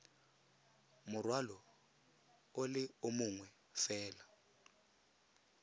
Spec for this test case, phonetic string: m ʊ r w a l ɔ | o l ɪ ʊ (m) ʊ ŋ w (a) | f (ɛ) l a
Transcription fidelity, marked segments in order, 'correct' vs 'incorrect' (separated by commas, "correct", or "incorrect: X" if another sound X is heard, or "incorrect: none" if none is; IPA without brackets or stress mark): correct, incorrect: ɛ, incorrect: ɛː